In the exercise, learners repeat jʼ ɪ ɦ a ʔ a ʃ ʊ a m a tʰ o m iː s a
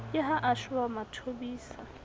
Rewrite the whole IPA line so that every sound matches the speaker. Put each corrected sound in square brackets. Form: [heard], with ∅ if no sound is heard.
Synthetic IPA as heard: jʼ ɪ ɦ a ʔ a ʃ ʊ a m a tʰ o [b] iː s a